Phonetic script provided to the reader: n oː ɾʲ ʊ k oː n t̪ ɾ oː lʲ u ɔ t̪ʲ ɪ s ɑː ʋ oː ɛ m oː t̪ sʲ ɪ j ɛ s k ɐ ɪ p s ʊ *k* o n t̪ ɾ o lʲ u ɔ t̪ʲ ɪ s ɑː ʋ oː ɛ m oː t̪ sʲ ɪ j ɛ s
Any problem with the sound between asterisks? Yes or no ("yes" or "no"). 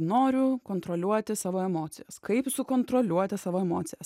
no